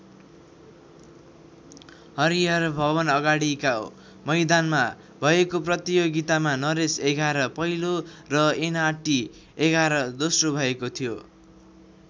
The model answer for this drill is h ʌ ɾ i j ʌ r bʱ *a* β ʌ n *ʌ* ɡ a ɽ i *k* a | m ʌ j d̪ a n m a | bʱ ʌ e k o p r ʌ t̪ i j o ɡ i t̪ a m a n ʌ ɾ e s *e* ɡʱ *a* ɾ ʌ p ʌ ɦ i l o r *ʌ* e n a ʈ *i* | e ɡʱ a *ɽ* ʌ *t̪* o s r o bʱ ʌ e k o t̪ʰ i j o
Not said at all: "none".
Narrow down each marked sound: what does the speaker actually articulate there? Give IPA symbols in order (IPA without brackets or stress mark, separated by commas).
ʌ, ʌ, k, e, a, ʌ, i, ɾ, d̪